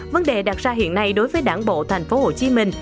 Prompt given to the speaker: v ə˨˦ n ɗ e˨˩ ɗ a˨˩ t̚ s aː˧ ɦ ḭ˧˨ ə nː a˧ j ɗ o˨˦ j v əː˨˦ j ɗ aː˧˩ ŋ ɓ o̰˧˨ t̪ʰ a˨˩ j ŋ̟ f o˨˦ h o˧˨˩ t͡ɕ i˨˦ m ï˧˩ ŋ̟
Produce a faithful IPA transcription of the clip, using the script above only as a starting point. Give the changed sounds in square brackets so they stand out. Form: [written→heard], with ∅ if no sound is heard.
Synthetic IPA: v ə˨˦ n ɗ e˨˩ ɗ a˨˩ t̚ [s→z] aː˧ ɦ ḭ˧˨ ə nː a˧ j ɗ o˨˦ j v əː˨˦ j ɗ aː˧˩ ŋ ɓ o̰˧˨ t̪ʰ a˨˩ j ŋ̟ f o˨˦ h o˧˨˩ t͡ɕ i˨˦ m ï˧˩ ŋ̟